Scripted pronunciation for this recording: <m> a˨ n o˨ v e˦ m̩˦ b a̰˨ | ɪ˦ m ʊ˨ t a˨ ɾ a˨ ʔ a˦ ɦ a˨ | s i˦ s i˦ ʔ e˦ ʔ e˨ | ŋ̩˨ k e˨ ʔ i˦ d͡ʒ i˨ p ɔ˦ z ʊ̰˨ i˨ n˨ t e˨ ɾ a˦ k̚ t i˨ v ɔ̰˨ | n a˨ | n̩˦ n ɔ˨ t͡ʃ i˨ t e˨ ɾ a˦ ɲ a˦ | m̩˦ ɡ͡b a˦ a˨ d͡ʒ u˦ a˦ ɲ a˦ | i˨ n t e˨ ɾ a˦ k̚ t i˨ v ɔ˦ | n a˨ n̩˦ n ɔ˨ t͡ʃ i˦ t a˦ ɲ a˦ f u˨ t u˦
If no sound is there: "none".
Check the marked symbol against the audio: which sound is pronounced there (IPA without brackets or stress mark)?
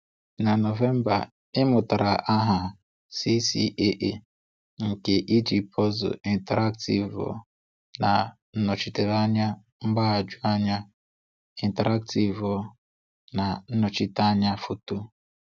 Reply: n